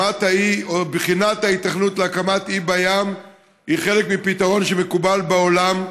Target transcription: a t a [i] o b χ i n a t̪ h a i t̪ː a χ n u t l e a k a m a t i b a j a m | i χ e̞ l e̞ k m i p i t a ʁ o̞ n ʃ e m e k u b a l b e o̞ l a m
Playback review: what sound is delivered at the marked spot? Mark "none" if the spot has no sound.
i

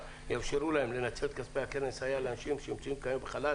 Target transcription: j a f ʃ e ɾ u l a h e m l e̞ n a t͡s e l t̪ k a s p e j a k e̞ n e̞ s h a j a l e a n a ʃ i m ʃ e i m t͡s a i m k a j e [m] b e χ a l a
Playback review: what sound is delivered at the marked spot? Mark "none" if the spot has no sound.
m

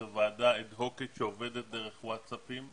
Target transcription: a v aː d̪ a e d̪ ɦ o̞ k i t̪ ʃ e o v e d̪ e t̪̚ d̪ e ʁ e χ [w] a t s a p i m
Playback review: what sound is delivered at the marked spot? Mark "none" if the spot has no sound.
w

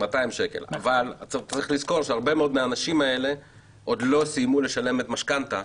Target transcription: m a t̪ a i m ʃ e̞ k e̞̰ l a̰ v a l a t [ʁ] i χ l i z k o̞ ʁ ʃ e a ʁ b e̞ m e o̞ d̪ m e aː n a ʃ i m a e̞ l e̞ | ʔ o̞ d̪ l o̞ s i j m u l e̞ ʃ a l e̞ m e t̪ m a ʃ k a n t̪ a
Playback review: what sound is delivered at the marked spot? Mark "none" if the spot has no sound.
ʁ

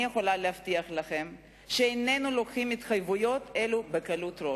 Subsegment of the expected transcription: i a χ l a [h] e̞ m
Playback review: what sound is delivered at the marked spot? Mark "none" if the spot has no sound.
χ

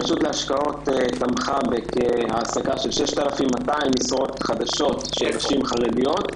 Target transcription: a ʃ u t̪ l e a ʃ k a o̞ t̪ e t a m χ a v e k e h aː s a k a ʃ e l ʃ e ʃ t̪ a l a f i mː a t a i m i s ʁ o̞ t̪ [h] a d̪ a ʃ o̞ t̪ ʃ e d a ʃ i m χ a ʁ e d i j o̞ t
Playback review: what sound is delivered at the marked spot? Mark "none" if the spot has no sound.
χ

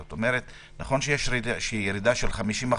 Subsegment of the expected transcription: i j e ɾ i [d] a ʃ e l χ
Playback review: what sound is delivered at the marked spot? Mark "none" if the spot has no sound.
d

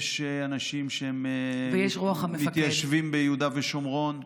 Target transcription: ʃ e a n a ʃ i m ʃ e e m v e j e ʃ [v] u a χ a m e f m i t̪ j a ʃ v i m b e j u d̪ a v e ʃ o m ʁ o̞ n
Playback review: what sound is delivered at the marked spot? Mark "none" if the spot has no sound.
ʁ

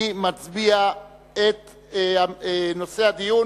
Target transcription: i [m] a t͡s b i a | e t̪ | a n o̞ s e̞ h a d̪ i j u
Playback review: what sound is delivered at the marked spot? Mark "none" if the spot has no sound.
m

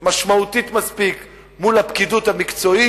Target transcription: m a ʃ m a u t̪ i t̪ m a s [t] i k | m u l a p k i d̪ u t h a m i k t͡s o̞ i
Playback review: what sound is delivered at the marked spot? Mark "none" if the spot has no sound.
p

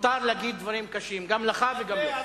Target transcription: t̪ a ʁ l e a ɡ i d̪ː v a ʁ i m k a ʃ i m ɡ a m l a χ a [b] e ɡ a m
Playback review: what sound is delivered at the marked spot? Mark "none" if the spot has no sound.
v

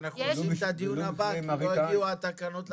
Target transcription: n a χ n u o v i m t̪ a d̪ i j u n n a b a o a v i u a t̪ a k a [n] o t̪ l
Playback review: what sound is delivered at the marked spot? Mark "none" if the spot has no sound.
n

